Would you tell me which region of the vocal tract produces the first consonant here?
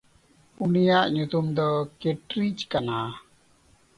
tongue tip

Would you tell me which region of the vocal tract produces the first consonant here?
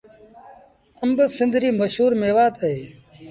lips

